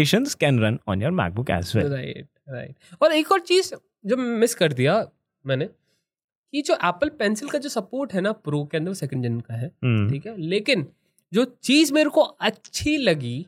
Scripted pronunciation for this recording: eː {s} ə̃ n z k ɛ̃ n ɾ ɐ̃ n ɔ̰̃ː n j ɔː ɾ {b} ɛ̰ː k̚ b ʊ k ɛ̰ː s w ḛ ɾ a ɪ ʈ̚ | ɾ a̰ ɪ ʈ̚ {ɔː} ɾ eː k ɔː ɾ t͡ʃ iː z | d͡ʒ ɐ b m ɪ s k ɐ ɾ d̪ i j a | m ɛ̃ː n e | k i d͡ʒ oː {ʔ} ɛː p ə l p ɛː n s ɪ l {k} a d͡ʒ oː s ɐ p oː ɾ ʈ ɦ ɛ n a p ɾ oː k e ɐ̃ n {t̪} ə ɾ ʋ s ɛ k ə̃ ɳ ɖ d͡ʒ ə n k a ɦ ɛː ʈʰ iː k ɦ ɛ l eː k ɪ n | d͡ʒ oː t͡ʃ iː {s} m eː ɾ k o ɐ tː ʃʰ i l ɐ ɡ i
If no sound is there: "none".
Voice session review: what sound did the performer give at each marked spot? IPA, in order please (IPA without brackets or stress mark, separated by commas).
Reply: ʃ, m, ɔː, ʔ, k, d̪, z